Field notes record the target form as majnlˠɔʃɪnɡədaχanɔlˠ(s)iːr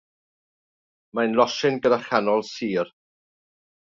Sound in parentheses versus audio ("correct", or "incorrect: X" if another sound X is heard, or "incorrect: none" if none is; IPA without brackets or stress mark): correct